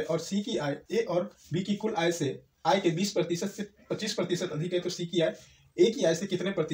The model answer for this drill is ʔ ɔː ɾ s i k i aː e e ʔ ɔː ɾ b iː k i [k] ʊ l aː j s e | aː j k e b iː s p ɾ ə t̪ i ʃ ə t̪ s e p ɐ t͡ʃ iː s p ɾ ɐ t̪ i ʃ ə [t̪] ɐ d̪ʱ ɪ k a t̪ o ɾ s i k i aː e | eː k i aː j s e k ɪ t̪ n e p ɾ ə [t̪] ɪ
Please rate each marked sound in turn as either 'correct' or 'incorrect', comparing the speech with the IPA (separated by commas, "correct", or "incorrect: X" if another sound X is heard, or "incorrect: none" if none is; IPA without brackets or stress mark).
correct, correct, correct